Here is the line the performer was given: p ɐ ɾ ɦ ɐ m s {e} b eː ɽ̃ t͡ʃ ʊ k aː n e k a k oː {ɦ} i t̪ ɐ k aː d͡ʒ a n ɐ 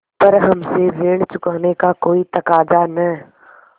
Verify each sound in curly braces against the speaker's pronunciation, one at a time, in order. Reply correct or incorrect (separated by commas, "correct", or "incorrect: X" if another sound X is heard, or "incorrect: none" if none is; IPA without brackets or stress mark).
correct, incorrect: none